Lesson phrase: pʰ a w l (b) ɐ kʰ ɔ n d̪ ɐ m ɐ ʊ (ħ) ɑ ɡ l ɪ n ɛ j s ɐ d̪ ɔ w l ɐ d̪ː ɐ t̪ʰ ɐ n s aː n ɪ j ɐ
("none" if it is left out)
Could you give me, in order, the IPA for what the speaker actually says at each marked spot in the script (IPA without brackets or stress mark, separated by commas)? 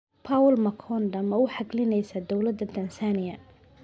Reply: m, ħ